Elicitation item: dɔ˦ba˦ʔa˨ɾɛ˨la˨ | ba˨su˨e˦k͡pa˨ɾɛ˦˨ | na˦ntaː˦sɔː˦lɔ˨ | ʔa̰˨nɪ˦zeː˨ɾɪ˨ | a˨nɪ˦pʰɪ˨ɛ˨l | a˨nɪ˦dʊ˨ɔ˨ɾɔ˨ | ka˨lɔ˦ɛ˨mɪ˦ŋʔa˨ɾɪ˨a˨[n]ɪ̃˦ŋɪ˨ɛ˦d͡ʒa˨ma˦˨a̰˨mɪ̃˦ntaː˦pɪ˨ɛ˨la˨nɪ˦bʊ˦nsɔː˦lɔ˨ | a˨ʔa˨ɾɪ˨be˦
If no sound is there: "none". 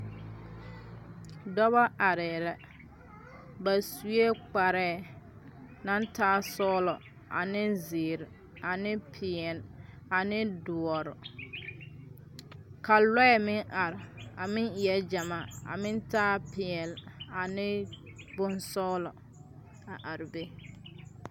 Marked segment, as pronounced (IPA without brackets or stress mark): m